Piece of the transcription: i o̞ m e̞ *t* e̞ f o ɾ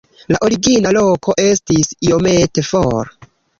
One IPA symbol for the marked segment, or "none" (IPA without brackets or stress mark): t